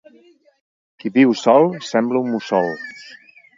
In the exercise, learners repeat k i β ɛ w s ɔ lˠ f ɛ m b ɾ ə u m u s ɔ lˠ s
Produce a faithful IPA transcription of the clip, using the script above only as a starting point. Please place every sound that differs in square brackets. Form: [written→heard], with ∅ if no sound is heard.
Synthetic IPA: k i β [ɛ→i] w s ɔ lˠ [f→s] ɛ m b [ɾ→l] ə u m u s ɔ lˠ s

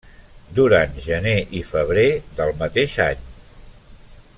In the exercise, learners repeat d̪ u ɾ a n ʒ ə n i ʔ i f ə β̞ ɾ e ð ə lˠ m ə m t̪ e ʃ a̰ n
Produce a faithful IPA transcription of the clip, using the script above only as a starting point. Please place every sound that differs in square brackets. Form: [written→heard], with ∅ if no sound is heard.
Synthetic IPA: d̪ u ɾ a n ʒ ə n [i→e] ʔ i f ə β̞ ɾ e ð ə lˠ m ə [m→∅] t̪ e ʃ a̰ [n→ɲ]

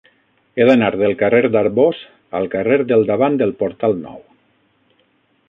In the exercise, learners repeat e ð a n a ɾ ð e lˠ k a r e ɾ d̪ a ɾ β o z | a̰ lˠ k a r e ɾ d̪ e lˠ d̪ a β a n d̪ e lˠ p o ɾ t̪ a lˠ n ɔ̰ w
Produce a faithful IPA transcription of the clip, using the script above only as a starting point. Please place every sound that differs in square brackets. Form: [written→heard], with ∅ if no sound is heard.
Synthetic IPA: e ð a n a ɾ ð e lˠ k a r e ɾ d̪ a ɾ β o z | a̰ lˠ k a r e ɾ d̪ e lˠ d̪ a β a n d̪ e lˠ p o ɾ t̪ a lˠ n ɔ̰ w

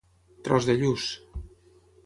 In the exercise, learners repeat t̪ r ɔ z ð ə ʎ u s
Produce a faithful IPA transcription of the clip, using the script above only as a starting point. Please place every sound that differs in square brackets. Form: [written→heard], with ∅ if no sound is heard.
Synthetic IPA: t̪ [r→ɾ] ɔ z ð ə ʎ u s

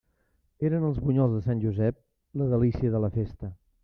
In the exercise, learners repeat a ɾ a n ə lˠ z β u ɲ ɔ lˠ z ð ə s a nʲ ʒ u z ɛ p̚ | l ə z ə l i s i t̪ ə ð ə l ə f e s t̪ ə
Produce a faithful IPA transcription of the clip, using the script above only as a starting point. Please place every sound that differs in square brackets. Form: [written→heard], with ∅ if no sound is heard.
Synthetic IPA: [a→e] ɾ [a→ə] n ə lˠ z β u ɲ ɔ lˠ z ð ə s a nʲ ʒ u z ɛ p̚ | l ə [z→ð] ə l i s i [t̪→∅] ə ð ə l ə f e s t̪ ə

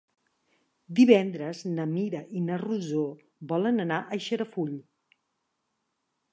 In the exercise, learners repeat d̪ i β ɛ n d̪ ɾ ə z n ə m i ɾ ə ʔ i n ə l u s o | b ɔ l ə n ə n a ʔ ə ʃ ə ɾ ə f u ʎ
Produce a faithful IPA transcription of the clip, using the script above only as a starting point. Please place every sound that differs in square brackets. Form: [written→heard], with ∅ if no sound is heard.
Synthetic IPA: d̪ i β ɛ n d̪ ɾ ə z n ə m i ɾ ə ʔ i n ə [l→r] u [s→z] o | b ɔ l ə n ə n a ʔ ə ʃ ə ɾ ə f u ʎ

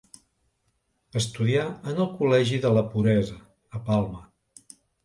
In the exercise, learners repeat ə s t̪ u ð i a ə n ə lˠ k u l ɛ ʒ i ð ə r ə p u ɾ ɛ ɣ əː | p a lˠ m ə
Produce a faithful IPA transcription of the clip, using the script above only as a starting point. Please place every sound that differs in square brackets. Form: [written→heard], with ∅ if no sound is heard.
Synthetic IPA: ə s t̪ u ð i a ə n ə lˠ k u l ɛ ʒ i ð ə [r→l] ə p u ɾ ɛ [ɣ→z] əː | p a lˠ m ə

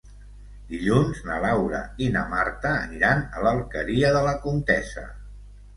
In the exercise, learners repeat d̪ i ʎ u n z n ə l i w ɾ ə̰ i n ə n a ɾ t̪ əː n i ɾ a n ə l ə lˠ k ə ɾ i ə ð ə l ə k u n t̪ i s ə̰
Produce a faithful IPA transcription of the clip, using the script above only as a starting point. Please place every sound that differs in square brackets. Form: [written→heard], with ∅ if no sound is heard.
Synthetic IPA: d̪ i ʎ u n z n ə l [i→a] w ɾ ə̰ i n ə [n→m] a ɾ t̪ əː n i ɾ a n ə l ə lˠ k ə ɾ i ə ð ə l ə k u n t̪ [i→ɛ] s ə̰

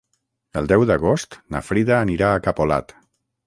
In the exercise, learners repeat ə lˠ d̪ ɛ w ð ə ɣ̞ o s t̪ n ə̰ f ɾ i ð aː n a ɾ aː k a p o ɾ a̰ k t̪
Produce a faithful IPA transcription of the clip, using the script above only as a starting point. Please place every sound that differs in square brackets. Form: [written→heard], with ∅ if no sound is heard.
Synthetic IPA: ə lˠ d̪ ɛ w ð ə ɣ̞ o s t̪ n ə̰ f ɾ i ð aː n [a→i] ɾ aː k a p o [ɾ→l] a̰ [k→∅] t̪

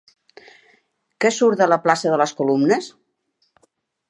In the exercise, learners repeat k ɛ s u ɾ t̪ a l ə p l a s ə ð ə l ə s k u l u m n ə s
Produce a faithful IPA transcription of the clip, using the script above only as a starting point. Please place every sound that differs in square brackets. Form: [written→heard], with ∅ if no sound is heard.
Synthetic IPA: k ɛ s u ɾ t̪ [a→ə] l ə p l a s ə ð ə l ə s k u l u m n ə s

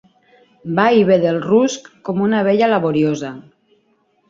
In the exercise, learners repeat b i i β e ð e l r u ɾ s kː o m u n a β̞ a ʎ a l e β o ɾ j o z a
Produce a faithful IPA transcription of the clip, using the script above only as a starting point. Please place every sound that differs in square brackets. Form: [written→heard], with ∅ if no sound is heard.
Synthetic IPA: b [i→a] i β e ð e l r u [ɾ→∅] s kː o m u n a β̞ [a→e] ʎ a l [e→a] β o ɾ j o z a

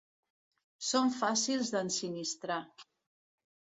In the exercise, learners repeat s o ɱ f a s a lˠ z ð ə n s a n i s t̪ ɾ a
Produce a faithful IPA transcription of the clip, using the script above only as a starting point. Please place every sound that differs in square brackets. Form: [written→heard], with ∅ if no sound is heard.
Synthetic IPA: s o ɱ f a s [a→i] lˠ z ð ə n s [a→i] n i s t̪ ɾ a

